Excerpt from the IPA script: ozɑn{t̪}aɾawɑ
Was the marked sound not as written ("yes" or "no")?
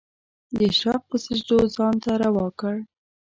no